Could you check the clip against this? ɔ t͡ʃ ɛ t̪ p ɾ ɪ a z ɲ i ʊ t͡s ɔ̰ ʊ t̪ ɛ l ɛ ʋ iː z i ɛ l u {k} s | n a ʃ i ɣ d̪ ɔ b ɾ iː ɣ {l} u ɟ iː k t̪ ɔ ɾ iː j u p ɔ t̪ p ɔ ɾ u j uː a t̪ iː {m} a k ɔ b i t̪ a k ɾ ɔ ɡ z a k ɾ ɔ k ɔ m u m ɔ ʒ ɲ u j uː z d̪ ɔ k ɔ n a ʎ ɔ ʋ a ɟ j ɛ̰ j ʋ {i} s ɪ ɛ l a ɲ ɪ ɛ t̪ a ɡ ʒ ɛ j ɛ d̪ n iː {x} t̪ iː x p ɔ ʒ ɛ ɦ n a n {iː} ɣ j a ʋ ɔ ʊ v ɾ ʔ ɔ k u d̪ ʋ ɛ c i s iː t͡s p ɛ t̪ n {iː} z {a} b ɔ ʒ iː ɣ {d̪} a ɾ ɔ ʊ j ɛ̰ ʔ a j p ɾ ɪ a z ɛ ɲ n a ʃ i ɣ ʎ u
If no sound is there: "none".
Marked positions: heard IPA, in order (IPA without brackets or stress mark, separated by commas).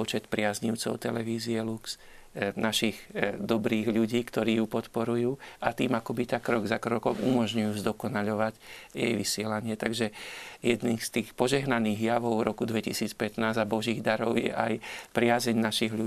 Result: k, ʎ, m, i, s, iː, aː, a, d̪